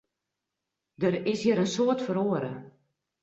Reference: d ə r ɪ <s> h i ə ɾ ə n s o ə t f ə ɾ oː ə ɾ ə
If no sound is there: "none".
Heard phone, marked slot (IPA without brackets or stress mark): s